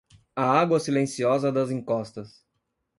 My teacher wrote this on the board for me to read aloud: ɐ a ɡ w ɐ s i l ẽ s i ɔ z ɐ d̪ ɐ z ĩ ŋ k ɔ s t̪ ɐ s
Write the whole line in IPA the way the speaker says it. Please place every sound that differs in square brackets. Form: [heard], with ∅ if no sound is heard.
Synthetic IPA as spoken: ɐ a ɡ w ɐ s i l ẽ s i ɔ z ɐ d̪ ɐ z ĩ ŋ k ɔ s t̪ ɐ s